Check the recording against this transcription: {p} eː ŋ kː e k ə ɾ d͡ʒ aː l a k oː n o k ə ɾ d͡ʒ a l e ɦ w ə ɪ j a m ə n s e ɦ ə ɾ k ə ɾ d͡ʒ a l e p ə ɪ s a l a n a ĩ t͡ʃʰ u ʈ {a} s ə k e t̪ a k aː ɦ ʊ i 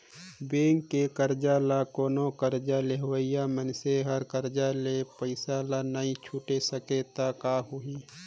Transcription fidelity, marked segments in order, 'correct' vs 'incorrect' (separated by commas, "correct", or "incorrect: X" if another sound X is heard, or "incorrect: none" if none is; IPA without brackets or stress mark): incorrect: b, incorrect: e